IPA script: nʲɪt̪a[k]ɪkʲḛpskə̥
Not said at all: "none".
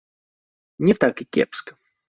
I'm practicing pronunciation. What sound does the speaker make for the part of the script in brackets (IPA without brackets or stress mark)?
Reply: k